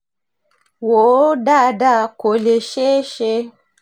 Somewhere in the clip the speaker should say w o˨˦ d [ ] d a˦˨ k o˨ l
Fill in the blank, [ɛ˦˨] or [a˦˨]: a˦˨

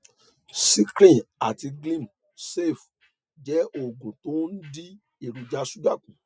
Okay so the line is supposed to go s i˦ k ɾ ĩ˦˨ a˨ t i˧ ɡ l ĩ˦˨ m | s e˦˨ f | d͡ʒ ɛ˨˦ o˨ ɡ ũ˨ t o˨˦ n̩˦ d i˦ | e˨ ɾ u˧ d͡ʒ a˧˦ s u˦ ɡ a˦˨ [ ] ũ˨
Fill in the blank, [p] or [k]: k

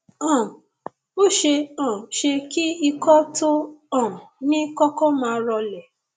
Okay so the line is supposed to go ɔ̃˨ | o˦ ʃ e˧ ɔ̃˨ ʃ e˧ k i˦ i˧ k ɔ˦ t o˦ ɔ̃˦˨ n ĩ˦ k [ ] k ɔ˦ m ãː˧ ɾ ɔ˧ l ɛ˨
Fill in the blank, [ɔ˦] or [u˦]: ɔ˦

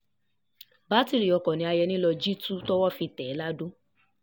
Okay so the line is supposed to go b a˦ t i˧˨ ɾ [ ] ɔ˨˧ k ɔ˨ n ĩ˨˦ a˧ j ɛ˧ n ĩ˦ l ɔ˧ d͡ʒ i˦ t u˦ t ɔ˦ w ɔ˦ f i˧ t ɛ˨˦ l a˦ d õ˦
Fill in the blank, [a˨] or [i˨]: i˨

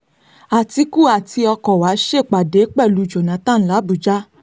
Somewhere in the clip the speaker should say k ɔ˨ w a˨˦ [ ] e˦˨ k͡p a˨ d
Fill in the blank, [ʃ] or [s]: ʃ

